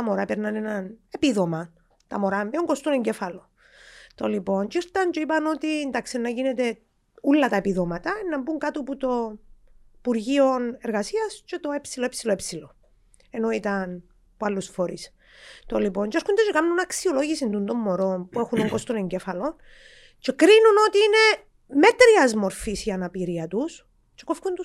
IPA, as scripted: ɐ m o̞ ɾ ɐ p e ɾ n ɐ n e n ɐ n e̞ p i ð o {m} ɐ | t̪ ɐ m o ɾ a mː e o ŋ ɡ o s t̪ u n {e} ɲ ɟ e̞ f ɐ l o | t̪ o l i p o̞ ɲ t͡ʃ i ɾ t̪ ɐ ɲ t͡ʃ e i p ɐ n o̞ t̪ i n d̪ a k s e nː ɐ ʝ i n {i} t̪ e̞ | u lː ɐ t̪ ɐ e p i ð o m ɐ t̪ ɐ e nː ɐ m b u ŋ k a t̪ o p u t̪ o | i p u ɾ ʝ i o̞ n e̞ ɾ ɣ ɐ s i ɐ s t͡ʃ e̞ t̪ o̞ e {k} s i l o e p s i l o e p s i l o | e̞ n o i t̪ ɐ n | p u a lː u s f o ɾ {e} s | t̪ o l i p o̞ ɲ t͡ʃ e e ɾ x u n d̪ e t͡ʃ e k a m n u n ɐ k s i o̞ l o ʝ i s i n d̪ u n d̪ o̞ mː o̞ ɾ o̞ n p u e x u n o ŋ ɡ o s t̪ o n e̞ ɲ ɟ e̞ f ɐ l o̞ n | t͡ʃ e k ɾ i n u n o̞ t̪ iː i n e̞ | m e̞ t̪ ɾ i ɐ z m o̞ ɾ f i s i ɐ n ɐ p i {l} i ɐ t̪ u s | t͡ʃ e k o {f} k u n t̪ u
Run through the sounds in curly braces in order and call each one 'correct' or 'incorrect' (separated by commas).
correct, correct, incorrect, incorrect, incorrect, incorrect, correct